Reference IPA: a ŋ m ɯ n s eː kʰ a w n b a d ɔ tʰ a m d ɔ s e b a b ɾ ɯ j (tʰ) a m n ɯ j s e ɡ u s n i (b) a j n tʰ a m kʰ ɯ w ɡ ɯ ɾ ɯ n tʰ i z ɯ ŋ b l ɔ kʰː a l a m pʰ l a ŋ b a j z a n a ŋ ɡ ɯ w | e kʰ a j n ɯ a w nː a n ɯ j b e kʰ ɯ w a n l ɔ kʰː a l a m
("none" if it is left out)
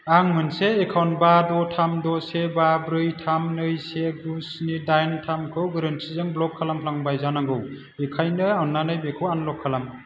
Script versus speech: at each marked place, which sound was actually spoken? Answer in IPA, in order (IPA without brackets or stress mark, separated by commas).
tʰ, d